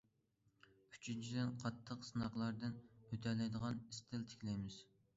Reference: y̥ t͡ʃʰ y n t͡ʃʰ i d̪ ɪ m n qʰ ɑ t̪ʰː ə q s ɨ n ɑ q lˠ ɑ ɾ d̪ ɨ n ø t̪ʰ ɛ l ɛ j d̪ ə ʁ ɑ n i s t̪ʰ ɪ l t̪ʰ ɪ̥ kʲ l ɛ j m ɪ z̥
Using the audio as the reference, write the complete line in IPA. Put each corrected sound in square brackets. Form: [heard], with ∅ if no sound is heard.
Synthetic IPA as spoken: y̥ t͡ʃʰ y n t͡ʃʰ i d̪ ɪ [∅] n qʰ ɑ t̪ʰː ə q s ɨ n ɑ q lˠ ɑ ɾ d̪ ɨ n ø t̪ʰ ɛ l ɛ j d̪ ə ʁ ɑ n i s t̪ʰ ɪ l t̪ʰ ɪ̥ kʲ l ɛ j m ɪ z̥